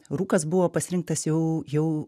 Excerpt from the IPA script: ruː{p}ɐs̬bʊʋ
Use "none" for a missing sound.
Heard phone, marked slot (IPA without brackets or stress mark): k